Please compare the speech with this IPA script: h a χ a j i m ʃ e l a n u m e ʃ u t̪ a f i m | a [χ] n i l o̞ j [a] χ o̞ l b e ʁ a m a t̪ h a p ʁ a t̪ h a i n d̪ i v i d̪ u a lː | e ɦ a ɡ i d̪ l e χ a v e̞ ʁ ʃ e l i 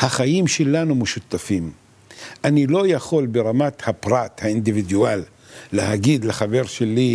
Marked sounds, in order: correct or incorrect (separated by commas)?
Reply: incorrect, correct